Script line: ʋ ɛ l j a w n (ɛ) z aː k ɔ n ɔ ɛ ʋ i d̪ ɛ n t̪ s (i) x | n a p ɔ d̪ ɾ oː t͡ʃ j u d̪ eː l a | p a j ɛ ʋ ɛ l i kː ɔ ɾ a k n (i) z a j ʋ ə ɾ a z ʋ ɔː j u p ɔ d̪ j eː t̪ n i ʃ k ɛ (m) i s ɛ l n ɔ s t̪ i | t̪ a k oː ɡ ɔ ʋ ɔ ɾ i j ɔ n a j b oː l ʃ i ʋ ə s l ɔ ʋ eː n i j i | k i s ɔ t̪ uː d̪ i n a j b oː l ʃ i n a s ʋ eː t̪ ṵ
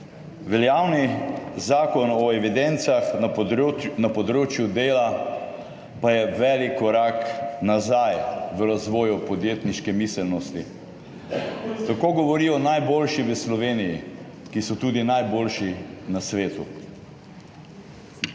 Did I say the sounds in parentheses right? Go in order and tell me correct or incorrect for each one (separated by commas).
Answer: incorrect, incorrect, incorrect, correct